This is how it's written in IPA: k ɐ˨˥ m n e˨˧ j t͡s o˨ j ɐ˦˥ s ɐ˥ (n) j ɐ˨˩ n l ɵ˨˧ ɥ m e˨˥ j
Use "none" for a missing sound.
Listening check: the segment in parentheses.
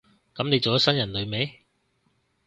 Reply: n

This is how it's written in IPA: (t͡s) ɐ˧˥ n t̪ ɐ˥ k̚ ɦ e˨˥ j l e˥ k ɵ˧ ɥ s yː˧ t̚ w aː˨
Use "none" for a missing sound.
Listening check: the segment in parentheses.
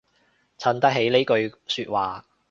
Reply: t͡sʰ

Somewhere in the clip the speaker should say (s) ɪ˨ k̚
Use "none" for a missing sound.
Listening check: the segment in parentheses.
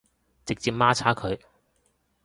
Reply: t͡s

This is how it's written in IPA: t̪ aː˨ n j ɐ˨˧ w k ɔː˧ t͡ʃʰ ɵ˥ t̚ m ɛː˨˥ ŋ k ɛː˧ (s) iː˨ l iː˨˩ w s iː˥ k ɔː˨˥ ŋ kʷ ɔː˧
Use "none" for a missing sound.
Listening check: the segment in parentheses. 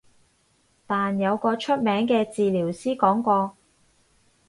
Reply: t͡s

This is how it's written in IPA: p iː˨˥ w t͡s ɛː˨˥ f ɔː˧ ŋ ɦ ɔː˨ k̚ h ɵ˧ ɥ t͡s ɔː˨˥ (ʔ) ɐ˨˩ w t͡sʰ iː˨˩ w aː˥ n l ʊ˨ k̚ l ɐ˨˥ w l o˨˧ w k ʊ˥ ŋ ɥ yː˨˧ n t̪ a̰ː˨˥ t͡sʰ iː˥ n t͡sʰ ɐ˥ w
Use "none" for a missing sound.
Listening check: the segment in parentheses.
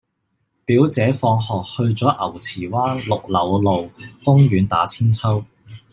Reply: ʔ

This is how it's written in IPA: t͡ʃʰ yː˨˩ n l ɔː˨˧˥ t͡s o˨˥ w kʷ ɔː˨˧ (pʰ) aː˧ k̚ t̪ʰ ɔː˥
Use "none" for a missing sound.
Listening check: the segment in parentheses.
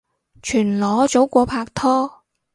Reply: pʰ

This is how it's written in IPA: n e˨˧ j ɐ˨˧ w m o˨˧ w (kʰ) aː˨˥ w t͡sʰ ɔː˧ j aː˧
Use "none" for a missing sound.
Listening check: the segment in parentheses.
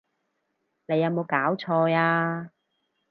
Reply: k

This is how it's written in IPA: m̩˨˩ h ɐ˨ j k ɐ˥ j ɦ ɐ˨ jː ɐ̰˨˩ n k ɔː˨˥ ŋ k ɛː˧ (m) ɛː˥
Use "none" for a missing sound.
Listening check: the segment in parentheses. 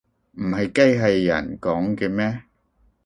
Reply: m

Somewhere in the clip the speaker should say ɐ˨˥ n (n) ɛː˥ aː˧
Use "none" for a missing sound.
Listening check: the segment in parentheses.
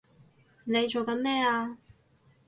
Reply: m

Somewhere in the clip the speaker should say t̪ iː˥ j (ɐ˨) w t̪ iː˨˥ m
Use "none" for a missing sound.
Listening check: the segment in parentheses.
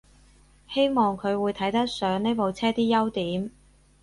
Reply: ɐ˥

